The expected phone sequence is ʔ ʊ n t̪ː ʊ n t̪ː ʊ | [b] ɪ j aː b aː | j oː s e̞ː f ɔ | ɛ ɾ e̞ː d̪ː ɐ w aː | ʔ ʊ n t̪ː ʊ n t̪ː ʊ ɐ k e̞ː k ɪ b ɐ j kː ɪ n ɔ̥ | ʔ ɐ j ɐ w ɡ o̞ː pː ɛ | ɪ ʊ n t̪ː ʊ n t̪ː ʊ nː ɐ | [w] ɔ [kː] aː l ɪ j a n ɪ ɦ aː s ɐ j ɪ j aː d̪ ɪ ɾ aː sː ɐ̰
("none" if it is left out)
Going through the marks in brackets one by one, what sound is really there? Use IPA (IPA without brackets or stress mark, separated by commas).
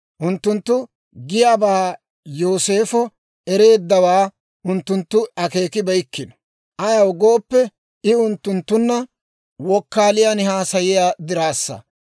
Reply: ɡ, w, kː